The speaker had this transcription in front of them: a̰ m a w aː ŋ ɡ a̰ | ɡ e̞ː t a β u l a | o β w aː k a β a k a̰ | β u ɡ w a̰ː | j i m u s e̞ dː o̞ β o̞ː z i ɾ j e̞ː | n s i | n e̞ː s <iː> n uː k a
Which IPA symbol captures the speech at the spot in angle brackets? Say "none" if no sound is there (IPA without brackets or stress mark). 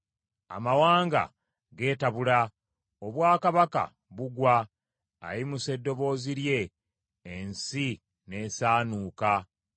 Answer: aː